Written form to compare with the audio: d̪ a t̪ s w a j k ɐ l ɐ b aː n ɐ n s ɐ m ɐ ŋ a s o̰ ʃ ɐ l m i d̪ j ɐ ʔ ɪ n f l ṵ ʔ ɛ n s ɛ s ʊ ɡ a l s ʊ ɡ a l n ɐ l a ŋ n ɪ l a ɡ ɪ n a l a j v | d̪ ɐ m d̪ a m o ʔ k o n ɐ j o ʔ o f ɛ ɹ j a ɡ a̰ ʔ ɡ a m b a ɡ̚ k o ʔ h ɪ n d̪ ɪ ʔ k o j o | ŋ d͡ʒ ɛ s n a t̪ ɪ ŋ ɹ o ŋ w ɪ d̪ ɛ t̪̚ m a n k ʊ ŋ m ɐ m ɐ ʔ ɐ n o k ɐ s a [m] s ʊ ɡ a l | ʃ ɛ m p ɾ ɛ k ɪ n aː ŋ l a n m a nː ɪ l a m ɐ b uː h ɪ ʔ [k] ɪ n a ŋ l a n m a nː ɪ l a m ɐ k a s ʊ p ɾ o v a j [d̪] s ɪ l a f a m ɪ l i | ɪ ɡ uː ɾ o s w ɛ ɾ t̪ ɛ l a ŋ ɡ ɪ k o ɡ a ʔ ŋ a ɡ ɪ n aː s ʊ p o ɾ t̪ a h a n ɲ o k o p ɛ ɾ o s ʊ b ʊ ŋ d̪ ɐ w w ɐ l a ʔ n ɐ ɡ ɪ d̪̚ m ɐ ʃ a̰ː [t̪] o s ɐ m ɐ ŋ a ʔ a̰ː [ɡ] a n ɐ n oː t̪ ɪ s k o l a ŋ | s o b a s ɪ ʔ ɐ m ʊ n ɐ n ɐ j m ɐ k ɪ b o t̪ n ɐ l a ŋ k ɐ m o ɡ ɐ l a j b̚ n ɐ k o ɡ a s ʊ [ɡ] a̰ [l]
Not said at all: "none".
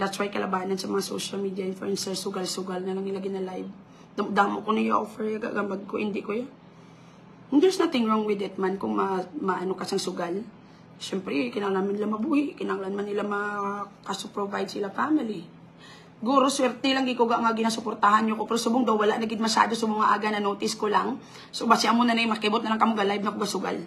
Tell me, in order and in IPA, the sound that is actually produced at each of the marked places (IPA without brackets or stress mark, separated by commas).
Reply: ŋ, k, d̪, d̪, ɡ, ɡ, l